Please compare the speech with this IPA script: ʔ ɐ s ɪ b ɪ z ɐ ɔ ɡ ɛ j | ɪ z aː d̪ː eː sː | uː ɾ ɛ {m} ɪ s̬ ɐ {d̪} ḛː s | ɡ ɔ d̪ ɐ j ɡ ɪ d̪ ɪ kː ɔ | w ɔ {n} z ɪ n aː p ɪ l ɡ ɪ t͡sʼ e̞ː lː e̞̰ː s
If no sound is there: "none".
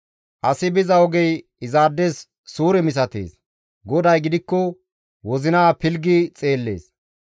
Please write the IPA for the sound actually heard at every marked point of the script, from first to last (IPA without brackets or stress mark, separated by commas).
m, t̪, none